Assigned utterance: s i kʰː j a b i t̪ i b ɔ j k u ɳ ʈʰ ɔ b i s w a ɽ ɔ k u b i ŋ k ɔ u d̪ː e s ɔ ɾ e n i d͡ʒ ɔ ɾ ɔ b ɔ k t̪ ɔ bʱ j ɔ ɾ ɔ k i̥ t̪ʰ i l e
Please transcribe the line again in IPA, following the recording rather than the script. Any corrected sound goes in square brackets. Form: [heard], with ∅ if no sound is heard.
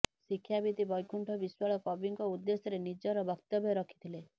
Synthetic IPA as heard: s i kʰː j a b i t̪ i b ɔ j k u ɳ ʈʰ ɔ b i s w a [ɭ] ɔ k [ɔ] b i ŋ k ɔ u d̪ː e s ɔ ɾ e n i d͡ʒ ɔ ɾ ɔ b ɔ k t̪ ɔ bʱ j ɔ ɾ ɔ [kʰ] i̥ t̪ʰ i l e

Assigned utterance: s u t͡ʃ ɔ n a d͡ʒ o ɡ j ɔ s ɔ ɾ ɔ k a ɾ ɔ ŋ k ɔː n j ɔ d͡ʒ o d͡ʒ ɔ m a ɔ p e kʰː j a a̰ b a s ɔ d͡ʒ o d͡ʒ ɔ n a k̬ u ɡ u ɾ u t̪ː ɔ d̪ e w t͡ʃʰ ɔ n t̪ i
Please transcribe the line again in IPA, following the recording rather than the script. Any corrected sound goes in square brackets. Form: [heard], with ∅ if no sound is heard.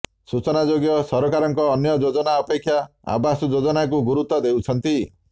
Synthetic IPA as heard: s u t͡ʃ ɔ n a d͡ʒ o ɡ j ɔ s ɔ ɾ ɔ k a ɾ ɔ ŋ k ɔː n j ɔ d͡ʒ o d͡ʒ ɔ [n] a ɔ p e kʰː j a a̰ b a s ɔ d͡ʒ o d͡ʒ ɔ n a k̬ u ɡ u ɾ u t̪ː ɔ d̪ e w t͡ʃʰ ɔ n t̪ i

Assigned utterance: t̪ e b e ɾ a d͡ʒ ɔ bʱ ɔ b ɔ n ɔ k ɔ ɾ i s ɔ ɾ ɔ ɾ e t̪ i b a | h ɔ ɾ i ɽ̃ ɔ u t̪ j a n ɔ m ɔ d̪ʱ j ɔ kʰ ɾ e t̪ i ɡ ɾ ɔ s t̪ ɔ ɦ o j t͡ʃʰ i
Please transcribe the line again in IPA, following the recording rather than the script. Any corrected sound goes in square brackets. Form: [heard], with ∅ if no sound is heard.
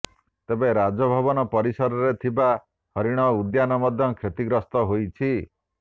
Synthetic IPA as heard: t̪ e b e ɾ a d͡ʒ ɔ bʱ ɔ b ɔ n ɔ [p] ɔ ɾ i s ɔ ɾ ɔ ɾ e [t̪ʰ] i b a | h ɔ ɾ i ɽ̃ ɔ u [d̪] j a n ɔ m ɔ d̪ʱ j ɔ kʰ ɾ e t̪ i ɡ ɾ ɔ s t̪ ɔ ɦ o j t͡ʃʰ i

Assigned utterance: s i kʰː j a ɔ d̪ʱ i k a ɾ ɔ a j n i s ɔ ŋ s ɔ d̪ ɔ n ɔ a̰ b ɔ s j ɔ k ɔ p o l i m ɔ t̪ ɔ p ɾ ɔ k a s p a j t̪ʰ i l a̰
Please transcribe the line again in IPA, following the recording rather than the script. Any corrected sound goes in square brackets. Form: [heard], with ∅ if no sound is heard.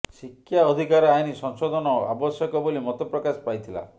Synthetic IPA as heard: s i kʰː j a ɔ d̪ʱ i k a ɾ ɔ a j n i s ɔ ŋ s ɔ d̪ ɔ n ɔ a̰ b ɔ s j ɔ k ɔ [b] o l i m ɔ t̪ ɔ p ɾ ɔ k a s p a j t̪ʰ i l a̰

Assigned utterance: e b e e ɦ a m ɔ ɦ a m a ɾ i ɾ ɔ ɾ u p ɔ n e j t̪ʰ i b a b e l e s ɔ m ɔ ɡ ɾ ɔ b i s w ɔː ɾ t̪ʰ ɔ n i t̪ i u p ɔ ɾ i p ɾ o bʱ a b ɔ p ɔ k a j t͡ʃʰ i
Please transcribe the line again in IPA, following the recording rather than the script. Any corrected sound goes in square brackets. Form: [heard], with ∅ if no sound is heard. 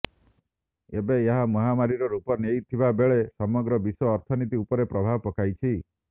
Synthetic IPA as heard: e b e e ɦ a m ɔ ɦ a m a ɾ i ɾ ɔ ɾ u p ɔ n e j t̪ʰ i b a b e [ɭ] e s ɔ m ɔ ɡ ɾ ɔ b i s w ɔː ɾ t̪ʰ ɔ n i t̪ i u p ɔ ɾ [e] p ɾ [ɔ] bʱ a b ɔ p ɔ k a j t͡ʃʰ i

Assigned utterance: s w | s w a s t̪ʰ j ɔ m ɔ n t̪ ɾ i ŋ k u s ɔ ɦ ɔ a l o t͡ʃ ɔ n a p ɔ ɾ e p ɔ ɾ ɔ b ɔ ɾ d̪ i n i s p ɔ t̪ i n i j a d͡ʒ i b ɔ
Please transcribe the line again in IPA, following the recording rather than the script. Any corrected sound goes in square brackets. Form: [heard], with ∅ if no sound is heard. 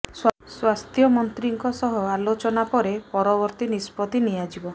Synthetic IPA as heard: s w | s w a s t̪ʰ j ɔ m ɔ n t̪ ɾ i ŋ k [ɔ] s ɔ ɦ ɔ a l o t͡ʃ ɔ n a p ɔ ɾ e p ɔ ɾ ɔ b ɔ ɾ [t̪] i n i s p ɔ t̪ i n i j a d͡ʒ i b ɔ

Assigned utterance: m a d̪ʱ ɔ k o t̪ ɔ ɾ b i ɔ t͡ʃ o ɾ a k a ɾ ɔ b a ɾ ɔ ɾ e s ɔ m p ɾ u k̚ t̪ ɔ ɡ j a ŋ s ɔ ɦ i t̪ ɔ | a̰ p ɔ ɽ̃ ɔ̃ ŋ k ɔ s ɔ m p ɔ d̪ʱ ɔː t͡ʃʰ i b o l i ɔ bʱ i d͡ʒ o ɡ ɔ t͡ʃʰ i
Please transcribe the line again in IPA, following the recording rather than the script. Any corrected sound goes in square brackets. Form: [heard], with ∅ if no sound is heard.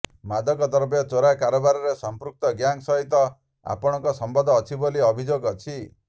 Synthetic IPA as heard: m a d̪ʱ ɔ k [ɔ] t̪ ɔ ɾ b [j] ɔ t͡ʃ o ɾ a k a ɾ ɔ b a ɾ ɔ ɾ e s ɔ m p ɾ u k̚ t̪ ɔ ɡ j a ŋ s ɔ ɦ i t̪ ɔ | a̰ p ɔ ɽ̃ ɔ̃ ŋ k ɔ s ɔ m [b] ɔ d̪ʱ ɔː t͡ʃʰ i b o l i ɔ bʱ i d͡ʒ o ɡ ɔ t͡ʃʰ i

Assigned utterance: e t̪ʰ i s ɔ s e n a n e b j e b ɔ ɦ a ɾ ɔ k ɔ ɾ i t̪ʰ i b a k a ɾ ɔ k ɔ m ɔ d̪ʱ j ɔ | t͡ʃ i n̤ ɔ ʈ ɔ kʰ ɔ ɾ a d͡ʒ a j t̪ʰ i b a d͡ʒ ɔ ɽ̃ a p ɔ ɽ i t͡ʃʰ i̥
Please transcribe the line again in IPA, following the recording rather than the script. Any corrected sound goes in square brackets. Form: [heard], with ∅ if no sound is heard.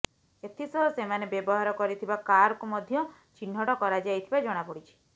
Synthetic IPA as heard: e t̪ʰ i s ɔ s e [m] a n e b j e b ɔ ɦ a ɾ ɔ k ɔ ɾ i t̪ʰ i b a k a ɾ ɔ k [u] m ɔ d̪ʱ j ɔ | t͡ʃ i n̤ ɔ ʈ ɔ [k] ɔ ɾ a d͡ʒ a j t̪ʰ i b a d͡ʒ ɔ ɽ̃ a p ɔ ɽ i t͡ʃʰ i̥

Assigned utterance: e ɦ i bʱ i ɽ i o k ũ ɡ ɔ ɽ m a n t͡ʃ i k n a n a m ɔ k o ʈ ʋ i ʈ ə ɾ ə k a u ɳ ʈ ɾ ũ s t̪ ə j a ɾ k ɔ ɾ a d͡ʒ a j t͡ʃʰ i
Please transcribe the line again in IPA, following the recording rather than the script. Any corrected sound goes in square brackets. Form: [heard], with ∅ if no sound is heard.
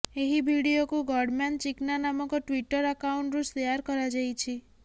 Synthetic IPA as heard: e ɦ i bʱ i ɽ i o k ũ ɡ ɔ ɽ m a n t͡ʃ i k n a n a m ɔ k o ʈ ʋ i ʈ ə ɾ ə k a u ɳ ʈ ɾ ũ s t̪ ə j a ɾ k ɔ ɾ a d͡ʒ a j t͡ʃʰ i

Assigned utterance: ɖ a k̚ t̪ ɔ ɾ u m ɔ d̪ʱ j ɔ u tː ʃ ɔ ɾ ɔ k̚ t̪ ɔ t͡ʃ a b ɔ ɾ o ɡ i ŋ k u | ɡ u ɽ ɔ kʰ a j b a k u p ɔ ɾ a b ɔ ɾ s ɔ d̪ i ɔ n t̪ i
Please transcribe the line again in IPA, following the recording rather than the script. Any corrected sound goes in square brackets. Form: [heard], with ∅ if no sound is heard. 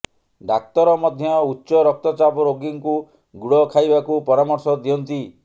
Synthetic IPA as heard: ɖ a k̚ t̪ ɔ ɾ [ɔ] m ɔ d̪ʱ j ɔ u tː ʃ ɔ ɾ ɔ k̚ t̪ ɔ t͡ʃ a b ɔ ɾ o ɡ i ŋ k u | ɡ u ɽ ɔ kʰ a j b a k u p ɔ ɾ a [m] ɔ ɾ s ɔ d̪ i ɔ n t̪ i

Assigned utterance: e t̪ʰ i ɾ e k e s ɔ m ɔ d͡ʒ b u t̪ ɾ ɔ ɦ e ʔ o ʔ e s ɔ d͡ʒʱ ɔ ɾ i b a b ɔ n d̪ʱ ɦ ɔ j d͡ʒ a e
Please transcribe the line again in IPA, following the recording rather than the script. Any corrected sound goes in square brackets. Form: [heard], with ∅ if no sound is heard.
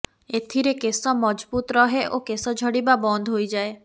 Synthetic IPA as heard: e t̪ʰ i ɾ e k e s ɔ m ɔ d͡ʒ b u t̪ ɾ ɔ ɦ e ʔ o [k] e s ɔ d͡ʒʱ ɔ [ɽ] i b a b ɔ n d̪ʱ ɦ [o] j d͡ʒ a e

